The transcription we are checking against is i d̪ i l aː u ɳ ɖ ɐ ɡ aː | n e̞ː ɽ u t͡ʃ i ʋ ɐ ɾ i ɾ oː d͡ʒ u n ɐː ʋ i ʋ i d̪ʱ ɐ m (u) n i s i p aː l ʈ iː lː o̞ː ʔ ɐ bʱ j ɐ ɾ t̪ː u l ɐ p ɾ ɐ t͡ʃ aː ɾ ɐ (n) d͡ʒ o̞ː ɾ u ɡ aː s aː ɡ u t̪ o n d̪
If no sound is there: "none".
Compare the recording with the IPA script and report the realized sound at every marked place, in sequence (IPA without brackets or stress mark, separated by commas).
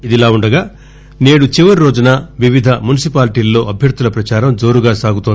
u, m